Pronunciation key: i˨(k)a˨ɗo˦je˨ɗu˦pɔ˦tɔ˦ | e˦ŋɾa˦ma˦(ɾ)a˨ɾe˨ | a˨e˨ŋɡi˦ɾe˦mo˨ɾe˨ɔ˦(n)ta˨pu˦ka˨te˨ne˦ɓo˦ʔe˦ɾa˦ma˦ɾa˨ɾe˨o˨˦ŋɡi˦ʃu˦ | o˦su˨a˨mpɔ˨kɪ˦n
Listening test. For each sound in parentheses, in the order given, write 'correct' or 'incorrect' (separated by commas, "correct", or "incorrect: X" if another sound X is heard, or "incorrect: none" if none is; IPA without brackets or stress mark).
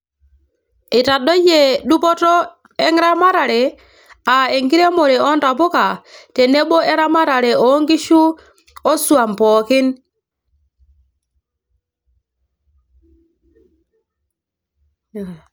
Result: incorrect: t, correct, correct